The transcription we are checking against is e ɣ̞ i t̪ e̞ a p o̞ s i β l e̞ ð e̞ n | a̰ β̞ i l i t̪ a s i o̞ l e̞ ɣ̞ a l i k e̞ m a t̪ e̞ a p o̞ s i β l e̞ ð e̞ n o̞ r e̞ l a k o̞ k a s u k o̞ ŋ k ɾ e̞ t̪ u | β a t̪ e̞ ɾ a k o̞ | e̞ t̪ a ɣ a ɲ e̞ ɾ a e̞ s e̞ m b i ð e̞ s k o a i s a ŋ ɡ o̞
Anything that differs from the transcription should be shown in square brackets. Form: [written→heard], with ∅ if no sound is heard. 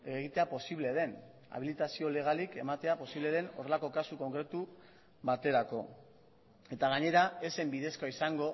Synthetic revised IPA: e ɣ̞ i t̪ e̞ a p o̞ s i β l e̞ ð e̞ n | a̰ β̞ i l i t̪ a s i o̞ l e̞ ɣ̞ a l i k e̞ m a t̪ e̞ a p o̞ s i β l e̞ ð e̞ n o̞ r e̞ l a k o̞ k a s u k o̞ ŋ k ɾ e̞ t̪ u | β a t̪ e̞ ɾ a k o̞ | e̞ t̪ a ɣ a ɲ e̞ ɾ a e̞ s e̞ m b i ð e̞ s k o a i s a ŋ ɡ o̞